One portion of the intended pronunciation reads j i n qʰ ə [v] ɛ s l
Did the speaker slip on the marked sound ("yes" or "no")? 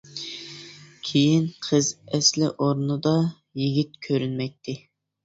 yes